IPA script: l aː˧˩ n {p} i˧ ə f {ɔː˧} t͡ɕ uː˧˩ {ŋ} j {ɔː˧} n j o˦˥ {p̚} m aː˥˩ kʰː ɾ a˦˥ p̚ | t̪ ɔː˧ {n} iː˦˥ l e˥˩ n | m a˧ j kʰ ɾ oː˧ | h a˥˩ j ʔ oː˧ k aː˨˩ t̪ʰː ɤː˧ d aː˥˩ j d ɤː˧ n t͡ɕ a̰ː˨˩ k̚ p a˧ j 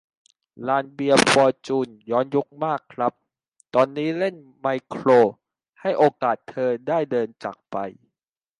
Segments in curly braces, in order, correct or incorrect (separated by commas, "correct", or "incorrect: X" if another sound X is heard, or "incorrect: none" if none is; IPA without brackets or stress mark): incorrect: b, correct, incorrect: n, incorrect: ɔː˦˥, incorrect: k̚, incorrect: nː